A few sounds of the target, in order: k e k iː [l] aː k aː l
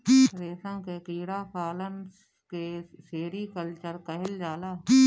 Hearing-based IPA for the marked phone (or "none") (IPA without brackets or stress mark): ɽ